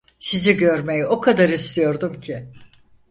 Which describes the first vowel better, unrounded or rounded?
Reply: unrounded